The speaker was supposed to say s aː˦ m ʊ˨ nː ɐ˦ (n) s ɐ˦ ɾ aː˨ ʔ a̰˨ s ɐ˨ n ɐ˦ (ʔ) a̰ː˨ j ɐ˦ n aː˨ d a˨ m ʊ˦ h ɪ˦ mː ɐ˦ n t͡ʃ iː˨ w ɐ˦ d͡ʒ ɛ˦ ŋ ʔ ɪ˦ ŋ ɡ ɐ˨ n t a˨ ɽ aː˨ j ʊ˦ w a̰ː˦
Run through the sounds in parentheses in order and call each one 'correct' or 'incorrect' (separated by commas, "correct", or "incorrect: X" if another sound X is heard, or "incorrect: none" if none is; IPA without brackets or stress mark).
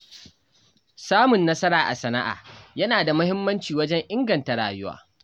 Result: incorrect: none, correct